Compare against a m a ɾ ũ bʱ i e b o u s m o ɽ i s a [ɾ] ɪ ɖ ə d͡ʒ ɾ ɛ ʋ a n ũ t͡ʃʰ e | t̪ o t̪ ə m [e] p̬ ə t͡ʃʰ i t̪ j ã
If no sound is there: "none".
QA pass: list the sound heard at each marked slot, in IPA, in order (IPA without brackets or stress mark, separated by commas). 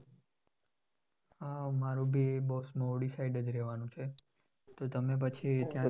none, e